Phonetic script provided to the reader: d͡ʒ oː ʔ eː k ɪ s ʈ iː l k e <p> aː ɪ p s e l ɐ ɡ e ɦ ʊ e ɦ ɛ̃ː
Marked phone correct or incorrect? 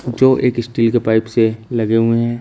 correct